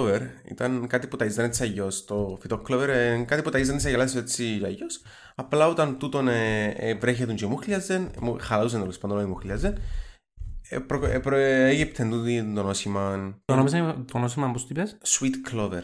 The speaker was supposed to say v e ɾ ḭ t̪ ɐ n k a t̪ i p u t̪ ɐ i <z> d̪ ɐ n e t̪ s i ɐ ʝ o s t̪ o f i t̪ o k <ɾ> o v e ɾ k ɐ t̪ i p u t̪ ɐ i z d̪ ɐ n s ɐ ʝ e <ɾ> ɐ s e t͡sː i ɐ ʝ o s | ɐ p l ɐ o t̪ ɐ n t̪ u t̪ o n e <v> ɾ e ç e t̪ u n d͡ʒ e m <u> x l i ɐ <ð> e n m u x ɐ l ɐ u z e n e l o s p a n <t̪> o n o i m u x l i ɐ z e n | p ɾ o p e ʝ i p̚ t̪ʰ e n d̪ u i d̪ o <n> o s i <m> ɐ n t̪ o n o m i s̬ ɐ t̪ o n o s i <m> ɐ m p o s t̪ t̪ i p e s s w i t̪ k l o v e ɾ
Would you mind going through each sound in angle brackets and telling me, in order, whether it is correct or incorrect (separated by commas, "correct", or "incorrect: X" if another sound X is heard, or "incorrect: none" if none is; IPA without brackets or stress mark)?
correct, incorrect: l, incorrect: l, correct, correct, incorrect: z, incorrect: d̪, correct, correct, correct